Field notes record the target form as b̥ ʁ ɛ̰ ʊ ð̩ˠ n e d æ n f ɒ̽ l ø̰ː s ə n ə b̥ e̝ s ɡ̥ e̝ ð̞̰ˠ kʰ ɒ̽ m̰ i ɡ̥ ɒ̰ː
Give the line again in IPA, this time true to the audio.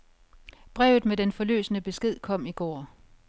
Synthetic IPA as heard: b̥ ʁ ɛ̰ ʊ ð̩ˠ m e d e n f ɒ̽ l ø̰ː s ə n ə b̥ e̝ s ɡ̥ e̝ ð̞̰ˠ kʰ ɒ̽ m̰ i ɡ̥ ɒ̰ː